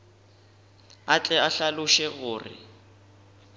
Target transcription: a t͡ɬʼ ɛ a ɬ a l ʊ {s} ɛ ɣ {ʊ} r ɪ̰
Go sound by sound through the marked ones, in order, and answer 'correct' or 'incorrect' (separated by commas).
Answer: incorrect, incorrect